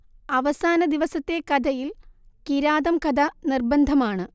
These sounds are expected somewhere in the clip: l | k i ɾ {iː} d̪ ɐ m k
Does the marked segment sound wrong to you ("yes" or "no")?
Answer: yes